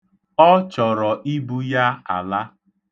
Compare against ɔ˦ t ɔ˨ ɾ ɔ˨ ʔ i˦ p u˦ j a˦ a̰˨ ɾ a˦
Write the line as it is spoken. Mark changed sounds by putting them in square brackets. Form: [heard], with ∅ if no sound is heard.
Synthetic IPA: ɔ˦ [t͡ʃ] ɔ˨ ɾ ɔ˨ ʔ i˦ [b] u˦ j a˦ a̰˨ [l] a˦

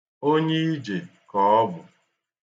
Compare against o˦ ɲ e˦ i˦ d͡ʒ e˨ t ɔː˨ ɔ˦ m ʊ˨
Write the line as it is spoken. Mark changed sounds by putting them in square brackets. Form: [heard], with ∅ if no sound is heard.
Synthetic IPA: o˦ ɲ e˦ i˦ d͡ʒ e˨ [k] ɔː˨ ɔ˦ [b] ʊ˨

